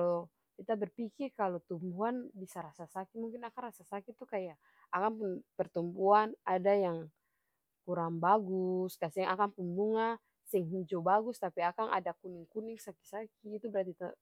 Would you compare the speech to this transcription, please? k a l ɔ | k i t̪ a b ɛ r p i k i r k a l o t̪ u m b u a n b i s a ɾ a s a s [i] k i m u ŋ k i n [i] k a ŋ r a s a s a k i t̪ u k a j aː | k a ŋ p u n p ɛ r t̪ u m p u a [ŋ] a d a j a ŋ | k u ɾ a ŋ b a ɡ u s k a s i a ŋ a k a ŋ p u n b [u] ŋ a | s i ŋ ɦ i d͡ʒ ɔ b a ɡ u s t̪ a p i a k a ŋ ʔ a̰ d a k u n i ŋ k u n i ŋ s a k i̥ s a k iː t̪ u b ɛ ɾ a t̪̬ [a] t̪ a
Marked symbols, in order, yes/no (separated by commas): no, no, no, yes, no